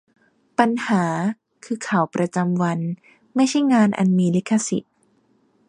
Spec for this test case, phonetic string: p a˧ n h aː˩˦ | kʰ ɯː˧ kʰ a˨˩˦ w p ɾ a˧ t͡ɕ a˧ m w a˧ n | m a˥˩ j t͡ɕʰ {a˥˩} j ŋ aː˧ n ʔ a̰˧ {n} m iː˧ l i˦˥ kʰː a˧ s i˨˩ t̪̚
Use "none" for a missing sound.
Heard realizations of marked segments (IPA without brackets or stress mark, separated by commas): a˥˩, n